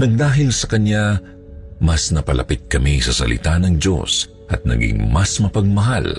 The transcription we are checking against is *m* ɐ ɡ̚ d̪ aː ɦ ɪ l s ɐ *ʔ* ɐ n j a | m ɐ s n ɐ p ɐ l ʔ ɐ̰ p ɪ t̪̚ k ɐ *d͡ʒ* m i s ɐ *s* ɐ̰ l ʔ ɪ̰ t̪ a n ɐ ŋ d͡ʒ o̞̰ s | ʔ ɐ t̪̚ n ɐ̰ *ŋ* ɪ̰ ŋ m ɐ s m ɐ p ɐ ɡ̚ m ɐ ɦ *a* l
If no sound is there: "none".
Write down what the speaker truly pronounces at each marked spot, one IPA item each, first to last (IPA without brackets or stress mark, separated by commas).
n, k, none, s, ɡ, a